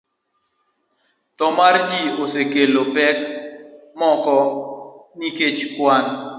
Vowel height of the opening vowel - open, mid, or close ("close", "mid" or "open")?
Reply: mid